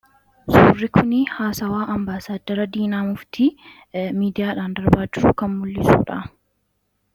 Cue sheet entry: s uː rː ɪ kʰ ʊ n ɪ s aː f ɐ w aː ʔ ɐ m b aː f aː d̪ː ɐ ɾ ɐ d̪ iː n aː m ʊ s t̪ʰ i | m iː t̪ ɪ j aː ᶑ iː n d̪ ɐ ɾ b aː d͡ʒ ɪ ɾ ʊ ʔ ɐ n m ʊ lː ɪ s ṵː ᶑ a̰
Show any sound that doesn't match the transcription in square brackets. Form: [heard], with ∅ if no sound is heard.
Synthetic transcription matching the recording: s uː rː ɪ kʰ ʊ n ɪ [h] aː [s] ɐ w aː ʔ ɐ m b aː [s] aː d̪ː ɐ ɾ ɐ d̪ iː n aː m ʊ [f] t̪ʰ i | m iː [d̪] ɪ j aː ᶑ [aː] n d̪ ɐ ɾ b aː d͡ʒ ɪ ɾ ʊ [k] ɐ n m ʊ lː ɪ s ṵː ᶑ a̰